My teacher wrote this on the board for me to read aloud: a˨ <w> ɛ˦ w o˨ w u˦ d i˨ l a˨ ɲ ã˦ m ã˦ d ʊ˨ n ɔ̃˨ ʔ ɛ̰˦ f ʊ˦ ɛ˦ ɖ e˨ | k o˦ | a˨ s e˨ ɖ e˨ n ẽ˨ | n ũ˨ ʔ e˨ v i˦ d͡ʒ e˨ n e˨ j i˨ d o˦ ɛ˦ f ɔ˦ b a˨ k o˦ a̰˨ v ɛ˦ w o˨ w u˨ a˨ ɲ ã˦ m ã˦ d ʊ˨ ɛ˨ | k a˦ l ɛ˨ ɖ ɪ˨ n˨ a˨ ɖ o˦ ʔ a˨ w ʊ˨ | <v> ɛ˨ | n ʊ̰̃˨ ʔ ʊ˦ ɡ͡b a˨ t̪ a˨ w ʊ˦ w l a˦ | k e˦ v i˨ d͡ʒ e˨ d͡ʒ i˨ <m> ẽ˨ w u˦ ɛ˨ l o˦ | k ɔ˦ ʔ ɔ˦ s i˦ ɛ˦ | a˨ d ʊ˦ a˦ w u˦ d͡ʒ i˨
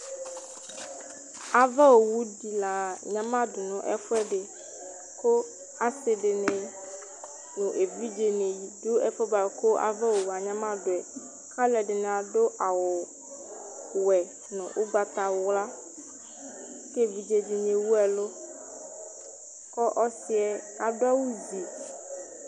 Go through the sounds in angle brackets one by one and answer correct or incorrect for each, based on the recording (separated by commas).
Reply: incorrect, incorrect, incorrect